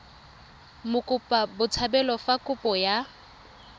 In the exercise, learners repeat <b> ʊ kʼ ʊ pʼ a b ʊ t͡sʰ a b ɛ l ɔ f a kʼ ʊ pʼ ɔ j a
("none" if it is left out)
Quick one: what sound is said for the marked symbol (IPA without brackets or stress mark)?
m